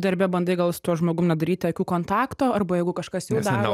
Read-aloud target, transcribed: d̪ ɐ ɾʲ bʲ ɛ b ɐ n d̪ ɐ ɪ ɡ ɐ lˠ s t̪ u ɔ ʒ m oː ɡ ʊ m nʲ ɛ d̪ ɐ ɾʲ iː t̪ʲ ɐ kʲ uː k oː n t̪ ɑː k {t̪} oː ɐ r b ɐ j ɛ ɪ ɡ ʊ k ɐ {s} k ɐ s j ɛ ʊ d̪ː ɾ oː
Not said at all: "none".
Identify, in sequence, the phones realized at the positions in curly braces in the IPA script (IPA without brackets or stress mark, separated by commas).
t̪, ʃ